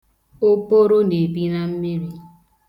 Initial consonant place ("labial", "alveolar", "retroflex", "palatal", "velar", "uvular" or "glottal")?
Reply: labial